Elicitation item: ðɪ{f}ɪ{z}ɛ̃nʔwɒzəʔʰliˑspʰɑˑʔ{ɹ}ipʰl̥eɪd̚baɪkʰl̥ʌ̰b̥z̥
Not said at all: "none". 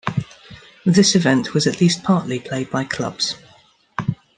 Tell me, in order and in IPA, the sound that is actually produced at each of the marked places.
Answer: s, v, l

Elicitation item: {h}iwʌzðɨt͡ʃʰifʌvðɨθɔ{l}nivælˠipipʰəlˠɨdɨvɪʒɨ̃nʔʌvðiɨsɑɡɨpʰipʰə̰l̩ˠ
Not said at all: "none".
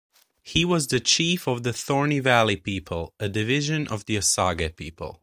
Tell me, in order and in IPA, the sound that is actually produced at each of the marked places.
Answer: h, ɹ

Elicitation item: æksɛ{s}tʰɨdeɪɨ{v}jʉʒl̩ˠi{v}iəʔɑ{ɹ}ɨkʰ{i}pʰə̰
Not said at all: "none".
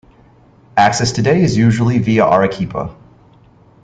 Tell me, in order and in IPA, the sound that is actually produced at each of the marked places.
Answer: s, z, v, ɹ, i

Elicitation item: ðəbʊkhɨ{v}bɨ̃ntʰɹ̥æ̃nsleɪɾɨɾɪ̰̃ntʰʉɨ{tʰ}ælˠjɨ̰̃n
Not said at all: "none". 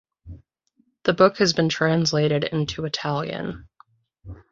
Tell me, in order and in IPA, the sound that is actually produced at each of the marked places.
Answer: z, tʰ

